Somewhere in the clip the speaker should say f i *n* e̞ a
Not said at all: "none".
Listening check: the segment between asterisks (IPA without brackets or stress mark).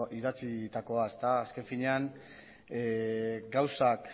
ɲ